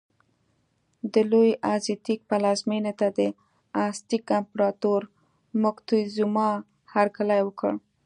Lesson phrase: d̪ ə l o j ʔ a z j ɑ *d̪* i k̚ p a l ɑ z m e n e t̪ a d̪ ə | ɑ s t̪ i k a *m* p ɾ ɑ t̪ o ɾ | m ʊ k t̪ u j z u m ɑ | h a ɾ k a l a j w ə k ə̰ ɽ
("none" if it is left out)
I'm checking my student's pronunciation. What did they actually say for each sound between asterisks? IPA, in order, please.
t̪, m

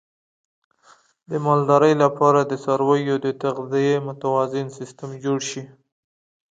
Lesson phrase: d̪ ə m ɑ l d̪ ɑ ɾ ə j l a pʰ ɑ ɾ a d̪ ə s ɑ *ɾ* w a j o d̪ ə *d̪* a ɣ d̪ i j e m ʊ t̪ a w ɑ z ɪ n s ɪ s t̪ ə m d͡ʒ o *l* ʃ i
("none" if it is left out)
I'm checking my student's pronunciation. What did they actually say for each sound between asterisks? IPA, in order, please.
ɾ, t̪, ɽ

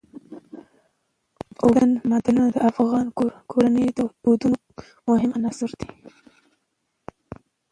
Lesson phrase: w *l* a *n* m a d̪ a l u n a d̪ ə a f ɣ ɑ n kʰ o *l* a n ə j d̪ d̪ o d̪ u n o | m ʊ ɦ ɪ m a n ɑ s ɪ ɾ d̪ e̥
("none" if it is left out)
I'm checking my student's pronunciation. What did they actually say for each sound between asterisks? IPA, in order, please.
ɽ, n, ɾ

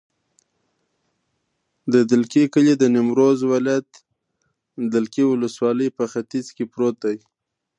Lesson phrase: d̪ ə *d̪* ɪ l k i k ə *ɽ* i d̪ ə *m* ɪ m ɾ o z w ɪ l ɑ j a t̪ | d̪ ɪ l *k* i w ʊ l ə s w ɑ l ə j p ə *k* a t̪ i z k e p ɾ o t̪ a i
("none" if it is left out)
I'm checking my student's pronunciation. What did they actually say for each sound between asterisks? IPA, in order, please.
d̪, l, n, k, x

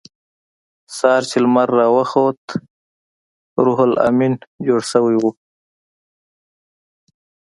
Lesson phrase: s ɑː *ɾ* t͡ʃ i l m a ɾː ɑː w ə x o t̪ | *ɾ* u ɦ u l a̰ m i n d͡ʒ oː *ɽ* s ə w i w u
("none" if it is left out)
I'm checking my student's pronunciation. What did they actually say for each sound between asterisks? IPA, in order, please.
ɾ, ɾ, ɽ

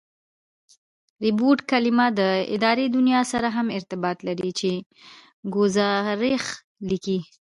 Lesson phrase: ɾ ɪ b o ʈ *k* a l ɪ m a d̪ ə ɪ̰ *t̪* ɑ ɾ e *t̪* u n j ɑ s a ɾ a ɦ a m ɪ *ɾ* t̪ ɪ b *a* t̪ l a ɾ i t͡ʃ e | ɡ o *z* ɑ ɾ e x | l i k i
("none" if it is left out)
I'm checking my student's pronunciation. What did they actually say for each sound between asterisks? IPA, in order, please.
k, d̪, d̪, ɾ, ɑ, z

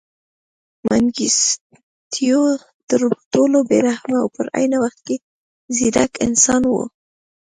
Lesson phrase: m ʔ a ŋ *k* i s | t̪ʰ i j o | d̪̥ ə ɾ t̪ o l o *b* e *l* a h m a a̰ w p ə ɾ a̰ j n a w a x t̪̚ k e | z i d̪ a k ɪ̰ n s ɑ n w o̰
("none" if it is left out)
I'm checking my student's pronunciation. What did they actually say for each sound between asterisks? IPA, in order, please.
ɡ, b, ɾ

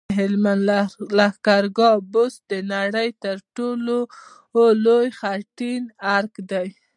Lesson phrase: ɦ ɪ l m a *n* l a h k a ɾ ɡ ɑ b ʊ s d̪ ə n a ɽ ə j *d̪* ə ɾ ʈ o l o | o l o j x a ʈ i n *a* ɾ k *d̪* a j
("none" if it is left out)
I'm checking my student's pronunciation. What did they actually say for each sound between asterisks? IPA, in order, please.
n, t̪, a, d̪

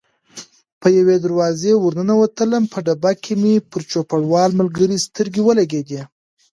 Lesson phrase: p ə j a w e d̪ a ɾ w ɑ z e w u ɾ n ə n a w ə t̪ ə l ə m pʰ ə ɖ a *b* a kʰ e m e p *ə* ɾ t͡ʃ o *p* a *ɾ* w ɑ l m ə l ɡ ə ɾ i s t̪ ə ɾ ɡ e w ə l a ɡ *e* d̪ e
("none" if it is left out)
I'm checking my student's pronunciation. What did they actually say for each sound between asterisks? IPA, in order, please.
b, ə, p, ɽ, e

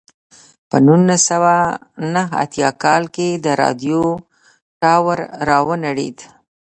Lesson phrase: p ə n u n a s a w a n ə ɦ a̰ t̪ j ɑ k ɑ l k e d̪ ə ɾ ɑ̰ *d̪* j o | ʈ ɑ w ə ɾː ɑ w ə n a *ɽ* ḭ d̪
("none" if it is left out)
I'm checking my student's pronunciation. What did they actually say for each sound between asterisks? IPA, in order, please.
d̪, ɽ

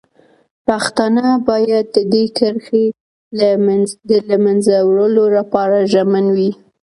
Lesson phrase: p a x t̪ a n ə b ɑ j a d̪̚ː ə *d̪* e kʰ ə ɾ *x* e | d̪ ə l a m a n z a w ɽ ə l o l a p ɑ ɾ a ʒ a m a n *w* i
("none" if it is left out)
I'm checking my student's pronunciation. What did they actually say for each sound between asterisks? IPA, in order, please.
d̪, x, w

